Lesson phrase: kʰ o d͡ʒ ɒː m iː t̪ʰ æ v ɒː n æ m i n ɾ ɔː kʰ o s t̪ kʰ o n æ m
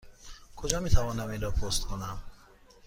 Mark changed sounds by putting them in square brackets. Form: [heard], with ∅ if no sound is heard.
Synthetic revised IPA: kʰ o d͡ʒ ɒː m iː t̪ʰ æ v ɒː n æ m i n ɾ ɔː [pʰ] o s t̪ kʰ o n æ m